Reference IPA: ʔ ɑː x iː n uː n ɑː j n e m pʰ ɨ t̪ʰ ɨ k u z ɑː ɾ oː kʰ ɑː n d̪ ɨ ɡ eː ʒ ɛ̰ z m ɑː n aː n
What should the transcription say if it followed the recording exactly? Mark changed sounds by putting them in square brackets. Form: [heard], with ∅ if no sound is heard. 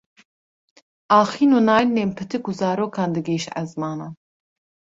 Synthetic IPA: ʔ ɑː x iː n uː n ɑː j n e m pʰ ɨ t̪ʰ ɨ k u z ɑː ɾ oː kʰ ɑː n d̪ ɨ ɡ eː [ʃ] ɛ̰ z m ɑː n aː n